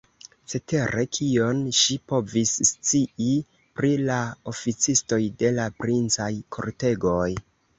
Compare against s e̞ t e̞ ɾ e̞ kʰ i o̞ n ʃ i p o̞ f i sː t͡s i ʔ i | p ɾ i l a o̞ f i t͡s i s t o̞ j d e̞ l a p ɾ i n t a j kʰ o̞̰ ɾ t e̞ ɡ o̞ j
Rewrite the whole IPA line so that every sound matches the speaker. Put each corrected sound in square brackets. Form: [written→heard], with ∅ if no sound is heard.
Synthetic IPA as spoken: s e̞ t e̞ ɾ e̞ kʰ i o̞ n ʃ i p o̞ [f→v] i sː t͡s i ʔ i | p ɾ i l a o̞ f i t͡s i s t o̞ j d e̞ l a p ɾ i n [t→t͡s] a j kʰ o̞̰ ɾ t e̞ ɡ o̞ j